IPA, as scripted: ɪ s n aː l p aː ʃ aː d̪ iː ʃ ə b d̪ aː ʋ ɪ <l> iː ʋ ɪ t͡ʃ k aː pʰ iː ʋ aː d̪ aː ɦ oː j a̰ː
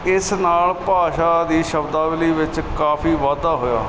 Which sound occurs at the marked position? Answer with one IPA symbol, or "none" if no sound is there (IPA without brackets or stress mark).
l